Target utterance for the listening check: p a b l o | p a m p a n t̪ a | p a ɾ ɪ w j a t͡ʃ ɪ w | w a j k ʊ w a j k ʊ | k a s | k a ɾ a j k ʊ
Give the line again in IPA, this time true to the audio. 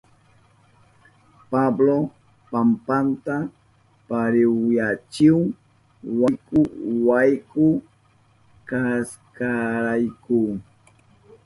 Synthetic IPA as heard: p a b l o | p a m p a n t̪ a | p a ɾ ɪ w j a t͡ʃ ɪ w | w a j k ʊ w a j k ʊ | k a s | k a ɾ a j k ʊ